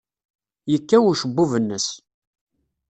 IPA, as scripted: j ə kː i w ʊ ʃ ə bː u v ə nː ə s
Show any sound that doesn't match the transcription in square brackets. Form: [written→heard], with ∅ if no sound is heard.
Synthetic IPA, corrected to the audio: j ə kː [i→æ] w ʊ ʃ ə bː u v ə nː ə s